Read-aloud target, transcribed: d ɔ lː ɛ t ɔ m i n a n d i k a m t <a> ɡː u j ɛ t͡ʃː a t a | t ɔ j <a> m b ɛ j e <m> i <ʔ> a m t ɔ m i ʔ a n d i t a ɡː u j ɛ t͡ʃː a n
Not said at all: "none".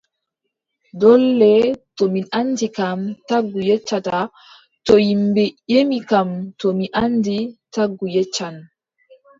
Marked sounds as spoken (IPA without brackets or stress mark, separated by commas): a, i, m, k